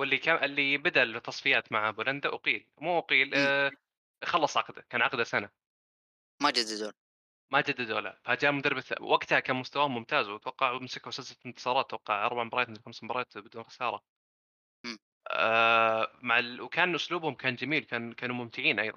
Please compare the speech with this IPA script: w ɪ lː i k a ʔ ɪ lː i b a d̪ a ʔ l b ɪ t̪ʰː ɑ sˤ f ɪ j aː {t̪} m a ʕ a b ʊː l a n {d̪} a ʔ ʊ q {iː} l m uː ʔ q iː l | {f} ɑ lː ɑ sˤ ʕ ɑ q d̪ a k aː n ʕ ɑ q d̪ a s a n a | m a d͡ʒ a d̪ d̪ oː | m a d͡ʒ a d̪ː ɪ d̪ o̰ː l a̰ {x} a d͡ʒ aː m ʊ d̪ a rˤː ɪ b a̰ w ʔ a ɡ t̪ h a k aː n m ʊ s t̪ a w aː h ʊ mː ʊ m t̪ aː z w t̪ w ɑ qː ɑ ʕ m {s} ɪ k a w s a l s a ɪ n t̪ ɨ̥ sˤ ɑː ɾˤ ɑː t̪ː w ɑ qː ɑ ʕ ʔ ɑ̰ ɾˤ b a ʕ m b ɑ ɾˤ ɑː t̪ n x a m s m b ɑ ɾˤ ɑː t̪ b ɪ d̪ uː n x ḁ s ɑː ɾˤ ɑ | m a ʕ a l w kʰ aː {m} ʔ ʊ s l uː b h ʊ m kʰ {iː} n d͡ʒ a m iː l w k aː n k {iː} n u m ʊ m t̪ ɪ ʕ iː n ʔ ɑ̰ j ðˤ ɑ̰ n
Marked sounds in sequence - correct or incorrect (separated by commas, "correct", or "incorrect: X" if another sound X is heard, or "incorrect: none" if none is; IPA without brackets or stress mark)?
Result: correct, correct, correct, incorrect: x, incorrect: f, correct, incorrect: n, incorrect: aː, incorrect: aː